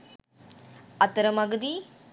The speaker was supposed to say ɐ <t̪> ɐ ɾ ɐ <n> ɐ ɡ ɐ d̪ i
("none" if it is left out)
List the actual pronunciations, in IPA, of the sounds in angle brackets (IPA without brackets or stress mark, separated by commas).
t̪, m